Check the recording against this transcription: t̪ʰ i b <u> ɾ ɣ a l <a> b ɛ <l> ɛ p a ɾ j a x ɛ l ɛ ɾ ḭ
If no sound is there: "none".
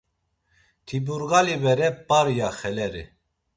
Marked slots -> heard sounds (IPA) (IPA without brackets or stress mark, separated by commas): u, i, ɾ